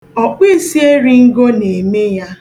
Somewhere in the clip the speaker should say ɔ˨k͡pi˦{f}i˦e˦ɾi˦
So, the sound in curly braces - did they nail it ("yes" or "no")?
no